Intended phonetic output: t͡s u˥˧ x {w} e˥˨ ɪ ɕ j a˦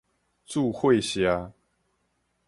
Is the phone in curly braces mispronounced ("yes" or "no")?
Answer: no